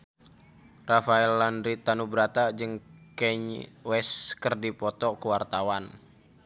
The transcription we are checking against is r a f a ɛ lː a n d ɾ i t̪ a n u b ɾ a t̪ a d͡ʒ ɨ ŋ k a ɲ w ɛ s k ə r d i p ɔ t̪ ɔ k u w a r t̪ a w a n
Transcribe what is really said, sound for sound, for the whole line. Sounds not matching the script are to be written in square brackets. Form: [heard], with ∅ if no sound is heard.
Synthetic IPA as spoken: r a f a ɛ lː a n d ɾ i t̪ a n u b ɾ a t̪ a d͡ʒ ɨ ŋ k [ɛ] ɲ w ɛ s k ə r d i p ɔ t̪ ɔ k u w a r t̪ a w a n